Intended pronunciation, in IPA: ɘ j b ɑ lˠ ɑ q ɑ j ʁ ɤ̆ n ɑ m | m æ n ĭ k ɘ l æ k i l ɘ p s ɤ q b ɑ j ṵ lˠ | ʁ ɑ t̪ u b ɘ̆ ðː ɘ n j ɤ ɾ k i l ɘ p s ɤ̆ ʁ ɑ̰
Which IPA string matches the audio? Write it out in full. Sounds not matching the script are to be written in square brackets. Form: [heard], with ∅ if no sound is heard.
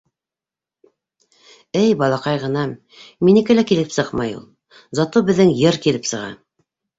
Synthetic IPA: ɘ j b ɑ lˠ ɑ q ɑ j ʁ ɤ̆ n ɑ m | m [i] n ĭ k ɘ l æ k i l ɘ p s ɤ q [m] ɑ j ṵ lˠ | [z] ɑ t̪ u b ɘ̆ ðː ɘ [ŋ] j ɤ ɾ k i l ɘ p s ɤ̆ ʁ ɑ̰